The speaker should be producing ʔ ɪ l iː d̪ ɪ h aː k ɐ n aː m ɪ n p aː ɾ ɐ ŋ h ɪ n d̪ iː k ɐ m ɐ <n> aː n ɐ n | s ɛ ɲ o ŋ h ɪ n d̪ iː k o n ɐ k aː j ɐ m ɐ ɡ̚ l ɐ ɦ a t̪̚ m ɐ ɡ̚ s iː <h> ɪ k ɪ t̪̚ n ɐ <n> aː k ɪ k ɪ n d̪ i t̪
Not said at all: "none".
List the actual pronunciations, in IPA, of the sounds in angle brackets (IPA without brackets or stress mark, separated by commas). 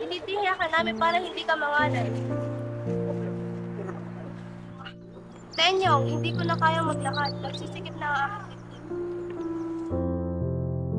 ŋ, s, ŋ